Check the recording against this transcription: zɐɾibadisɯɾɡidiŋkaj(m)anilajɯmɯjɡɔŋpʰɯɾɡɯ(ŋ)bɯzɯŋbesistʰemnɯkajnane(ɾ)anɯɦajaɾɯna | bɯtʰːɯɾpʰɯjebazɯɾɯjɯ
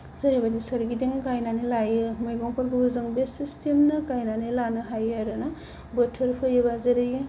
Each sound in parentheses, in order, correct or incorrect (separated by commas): incorrect, incorrect, incorrect